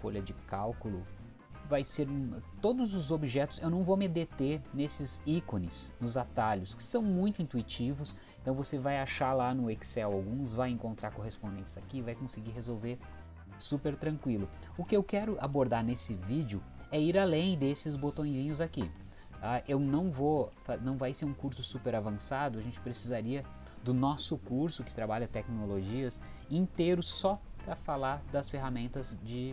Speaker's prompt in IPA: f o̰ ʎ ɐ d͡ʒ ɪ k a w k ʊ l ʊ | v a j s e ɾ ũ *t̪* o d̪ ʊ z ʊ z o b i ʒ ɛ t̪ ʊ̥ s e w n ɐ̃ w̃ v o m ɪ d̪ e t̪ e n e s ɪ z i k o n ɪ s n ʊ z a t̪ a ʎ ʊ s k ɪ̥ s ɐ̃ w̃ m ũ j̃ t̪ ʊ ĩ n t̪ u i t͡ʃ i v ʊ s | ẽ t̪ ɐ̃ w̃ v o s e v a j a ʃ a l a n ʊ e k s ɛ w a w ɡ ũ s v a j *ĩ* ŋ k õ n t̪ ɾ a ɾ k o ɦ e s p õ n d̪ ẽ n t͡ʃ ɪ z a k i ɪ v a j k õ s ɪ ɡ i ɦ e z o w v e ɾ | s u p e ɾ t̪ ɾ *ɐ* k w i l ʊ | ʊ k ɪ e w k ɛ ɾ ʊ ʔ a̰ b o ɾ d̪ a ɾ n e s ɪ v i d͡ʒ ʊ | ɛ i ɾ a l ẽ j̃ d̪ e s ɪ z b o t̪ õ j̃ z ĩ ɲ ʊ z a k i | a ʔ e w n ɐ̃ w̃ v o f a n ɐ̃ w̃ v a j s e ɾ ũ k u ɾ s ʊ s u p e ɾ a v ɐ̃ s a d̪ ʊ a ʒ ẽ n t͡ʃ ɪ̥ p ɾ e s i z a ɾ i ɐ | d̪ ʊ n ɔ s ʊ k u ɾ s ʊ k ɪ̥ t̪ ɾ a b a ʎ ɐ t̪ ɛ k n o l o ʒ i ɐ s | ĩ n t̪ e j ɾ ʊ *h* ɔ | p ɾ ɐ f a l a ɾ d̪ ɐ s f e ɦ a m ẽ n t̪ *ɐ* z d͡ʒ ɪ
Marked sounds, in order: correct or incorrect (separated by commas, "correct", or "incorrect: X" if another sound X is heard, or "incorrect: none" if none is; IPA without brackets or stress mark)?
correct, incorrect: ẽ, incorrect: ɐ̃, incorrect: s, correct